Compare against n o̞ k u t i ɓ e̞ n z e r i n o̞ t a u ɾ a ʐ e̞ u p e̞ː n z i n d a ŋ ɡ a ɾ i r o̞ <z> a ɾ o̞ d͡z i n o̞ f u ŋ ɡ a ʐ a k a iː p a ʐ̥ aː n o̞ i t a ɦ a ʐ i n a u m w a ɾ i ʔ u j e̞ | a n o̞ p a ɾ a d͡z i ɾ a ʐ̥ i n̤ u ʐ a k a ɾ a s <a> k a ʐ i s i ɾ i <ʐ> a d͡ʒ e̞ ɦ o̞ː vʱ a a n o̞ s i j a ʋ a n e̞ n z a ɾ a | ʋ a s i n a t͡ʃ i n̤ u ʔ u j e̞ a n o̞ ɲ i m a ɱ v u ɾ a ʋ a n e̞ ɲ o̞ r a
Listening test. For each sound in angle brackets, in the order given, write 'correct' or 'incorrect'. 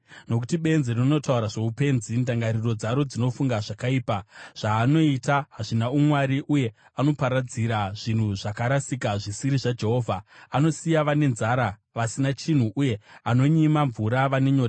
incorrect, incorrect, correct

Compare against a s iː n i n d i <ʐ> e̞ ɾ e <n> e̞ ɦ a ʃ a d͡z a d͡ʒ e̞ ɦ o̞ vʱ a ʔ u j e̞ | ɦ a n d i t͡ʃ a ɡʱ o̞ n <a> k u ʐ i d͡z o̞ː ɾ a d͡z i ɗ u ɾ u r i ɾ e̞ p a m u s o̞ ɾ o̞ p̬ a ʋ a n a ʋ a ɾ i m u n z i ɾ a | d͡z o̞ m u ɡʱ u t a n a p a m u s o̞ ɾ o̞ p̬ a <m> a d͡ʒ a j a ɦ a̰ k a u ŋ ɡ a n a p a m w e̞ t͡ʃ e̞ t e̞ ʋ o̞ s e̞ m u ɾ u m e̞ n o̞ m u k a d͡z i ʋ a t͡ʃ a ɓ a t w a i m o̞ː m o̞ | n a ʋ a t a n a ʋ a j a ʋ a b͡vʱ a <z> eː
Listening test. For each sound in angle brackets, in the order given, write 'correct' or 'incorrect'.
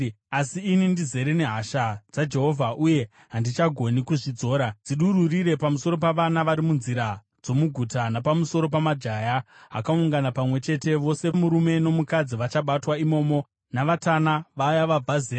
incorrect, correct, incorrect, correct, correct

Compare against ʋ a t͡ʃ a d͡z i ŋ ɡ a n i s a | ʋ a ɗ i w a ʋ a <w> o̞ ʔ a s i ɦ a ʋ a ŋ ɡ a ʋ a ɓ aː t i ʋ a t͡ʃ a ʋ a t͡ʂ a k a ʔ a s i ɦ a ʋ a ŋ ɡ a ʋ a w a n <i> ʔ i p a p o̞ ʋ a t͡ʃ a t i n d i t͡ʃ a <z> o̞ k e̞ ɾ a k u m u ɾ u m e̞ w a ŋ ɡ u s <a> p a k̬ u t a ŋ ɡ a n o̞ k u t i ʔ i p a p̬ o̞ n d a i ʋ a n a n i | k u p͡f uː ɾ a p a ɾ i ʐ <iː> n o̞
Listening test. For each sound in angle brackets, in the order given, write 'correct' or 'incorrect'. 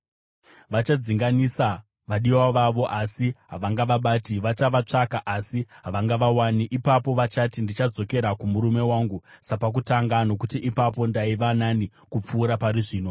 incorrect, correct, incorrect, correct, correct

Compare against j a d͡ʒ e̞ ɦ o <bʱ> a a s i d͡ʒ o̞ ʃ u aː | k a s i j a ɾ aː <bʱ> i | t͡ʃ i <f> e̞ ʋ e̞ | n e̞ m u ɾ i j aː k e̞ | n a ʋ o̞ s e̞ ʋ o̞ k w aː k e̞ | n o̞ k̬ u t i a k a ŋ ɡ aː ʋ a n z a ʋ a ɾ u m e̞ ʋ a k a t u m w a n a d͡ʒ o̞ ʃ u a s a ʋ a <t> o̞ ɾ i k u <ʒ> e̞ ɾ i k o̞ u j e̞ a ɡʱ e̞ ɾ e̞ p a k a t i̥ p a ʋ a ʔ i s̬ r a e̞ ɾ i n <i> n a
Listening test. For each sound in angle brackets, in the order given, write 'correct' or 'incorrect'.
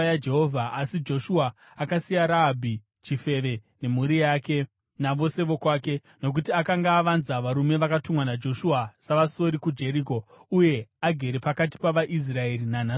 incorrect, correct, correct, incorrect, incorrect, incorrect

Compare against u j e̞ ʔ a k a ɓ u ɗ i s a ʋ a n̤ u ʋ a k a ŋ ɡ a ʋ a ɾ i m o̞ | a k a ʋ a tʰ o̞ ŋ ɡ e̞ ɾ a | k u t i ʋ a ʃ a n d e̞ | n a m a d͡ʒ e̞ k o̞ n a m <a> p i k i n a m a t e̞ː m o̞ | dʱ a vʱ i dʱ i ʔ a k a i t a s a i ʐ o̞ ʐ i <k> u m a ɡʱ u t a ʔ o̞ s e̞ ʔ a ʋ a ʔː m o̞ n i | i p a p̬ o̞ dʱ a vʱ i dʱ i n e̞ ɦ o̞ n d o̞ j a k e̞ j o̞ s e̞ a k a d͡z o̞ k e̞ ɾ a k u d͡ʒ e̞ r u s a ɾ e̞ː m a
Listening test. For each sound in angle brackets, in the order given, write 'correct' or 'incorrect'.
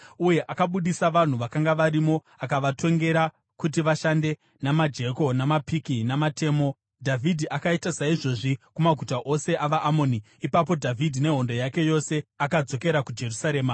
correct, correct

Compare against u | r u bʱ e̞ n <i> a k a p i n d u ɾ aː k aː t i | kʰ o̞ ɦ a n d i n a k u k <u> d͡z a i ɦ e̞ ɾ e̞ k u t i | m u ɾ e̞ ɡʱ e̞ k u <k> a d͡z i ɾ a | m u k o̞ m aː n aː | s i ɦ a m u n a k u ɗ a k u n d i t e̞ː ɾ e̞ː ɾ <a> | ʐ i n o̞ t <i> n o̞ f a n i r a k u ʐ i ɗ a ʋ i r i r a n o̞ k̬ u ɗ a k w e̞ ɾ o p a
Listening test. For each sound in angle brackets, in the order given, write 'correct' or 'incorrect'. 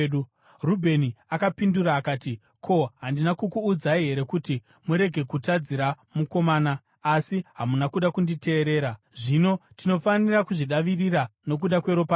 correct, incorrect, incorrect, correct, correct

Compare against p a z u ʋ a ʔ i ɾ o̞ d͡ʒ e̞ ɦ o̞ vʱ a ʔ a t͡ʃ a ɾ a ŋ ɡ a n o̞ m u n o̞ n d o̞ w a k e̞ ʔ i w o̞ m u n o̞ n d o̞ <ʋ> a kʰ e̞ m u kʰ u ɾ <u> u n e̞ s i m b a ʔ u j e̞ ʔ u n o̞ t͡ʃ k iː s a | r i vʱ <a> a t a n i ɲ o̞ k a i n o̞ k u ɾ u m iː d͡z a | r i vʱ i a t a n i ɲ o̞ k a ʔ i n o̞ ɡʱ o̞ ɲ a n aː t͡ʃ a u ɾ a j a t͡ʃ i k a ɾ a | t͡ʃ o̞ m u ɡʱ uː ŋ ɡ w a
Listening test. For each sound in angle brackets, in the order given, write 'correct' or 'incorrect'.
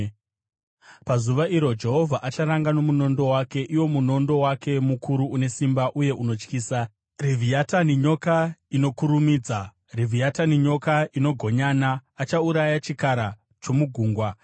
incorrect, correct, incorrect

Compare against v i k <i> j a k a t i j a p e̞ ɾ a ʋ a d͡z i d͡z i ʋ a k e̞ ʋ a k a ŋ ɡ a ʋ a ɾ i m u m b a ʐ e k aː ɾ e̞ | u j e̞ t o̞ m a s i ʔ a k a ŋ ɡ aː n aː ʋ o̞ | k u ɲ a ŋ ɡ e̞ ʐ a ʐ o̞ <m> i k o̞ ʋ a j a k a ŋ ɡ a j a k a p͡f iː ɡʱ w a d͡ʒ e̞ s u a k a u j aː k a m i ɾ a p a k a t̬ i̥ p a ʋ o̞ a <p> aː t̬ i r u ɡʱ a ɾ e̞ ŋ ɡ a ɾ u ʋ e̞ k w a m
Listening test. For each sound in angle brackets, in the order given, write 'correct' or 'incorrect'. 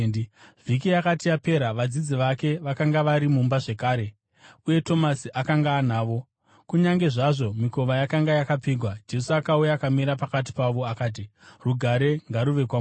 correct, correct, incorrect

